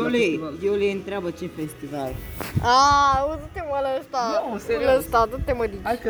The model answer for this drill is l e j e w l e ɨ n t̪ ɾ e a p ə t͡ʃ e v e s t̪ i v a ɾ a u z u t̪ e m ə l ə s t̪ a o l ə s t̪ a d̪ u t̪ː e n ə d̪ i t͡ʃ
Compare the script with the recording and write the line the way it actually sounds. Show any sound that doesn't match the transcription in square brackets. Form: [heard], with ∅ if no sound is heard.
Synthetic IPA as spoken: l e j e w l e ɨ n t̪ ɾ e a [b] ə t͡ʃ e [f] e s t̪ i v a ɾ a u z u t̪ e m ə l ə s t̪ a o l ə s t̪ a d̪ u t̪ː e [m] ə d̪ i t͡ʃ